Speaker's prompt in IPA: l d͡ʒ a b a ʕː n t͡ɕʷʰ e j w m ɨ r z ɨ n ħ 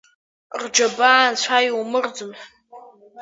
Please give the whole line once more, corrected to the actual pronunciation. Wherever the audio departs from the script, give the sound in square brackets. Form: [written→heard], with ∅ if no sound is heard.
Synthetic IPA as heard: [l→r] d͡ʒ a b a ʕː n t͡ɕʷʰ [e→a] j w m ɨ r [z→d͡z] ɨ [n→m] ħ

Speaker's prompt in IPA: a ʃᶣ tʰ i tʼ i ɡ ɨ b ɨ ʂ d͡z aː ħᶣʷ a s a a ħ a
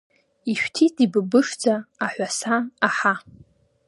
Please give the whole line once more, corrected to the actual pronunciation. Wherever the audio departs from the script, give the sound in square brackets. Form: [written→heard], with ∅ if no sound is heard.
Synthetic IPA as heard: [a→i] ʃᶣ tʰ i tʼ i [ɡ→b] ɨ b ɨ ʂ d͡z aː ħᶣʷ a s a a ħ a

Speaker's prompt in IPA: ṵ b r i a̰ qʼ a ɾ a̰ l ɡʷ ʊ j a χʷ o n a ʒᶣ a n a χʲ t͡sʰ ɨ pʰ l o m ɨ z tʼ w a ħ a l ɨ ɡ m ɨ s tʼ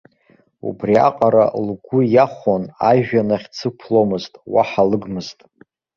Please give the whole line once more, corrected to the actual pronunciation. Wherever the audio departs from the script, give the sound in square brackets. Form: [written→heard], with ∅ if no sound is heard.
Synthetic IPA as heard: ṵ b r i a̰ qʼ a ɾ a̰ l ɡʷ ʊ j a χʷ o n a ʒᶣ a n a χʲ t͡sʰ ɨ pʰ l o m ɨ z tʼ w a ħ a l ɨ ɡ m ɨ [s→z] tʼ

